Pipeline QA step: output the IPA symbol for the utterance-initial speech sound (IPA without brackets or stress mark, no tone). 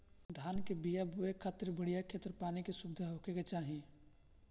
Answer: d̪ʱ